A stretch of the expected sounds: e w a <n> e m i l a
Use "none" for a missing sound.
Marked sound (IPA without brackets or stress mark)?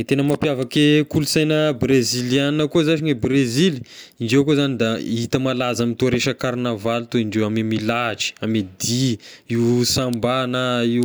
m